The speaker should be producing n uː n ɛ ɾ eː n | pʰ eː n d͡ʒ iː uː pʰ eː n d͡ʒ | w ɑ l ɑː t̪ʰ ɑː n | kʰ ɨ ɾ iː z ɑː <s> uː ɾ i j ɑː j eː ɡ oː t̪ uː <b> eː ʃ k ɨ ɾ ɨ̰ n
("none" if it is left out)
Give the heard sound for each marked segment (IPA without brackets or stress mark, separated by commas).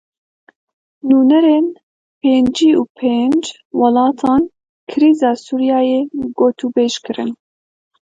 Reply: s, b